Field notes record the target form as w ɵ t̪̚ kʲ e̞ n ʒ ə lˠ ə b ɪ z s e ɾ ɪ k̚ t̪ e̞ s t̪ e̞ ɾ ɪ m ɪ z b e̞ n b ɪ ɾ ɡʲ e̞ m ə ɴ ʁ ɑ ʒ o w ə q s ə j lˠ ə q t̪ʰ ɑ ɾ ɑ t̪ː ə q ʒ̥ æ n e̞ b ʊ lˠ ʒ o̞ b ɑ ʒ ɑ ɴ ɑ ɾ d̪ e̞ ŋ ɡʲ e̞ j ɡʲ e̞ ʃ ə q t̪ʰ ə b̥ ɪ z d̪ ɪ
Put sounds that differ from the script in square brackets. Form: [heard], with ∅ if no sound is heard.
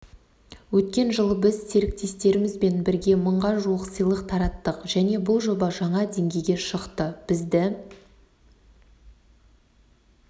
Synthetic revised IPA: w ɵ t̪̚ kʲ e̞ n ʒ ə lˠ ə b ɪ z s e ɾ ɪ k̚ t̪ e̞ s t̪ e̞ ɾ ɪ m ɪ z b e̞ n b ɪ ɾ ɡʲ e̞ m ə ɴ ʁ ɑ ʒ [u] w ə q s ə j lˠ ə q t̪ʰ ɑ ɾ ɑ t̪ː ə q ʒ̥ æ n e̞ b ʊ lˠ ʒ o̞ b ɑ ʒ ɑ ɴ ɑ [∅] d̪ e̞ ŋ ɡʲ e̞ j ɡʲ e̞ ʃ ə q [t̪] ə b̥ ɪ z d̪ ɪ